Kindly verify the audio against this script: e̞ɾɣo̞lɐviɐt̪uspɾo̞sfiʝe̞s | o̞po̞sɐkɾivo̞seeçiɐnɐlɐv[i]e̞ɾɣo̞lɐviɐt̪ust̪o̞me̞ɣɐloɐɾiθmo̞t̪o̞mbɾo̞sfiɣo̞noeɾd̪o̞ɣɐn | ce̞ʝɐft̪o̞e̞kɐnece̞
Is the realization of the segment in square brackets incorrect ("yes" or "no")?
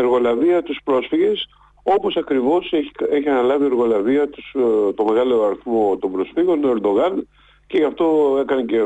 no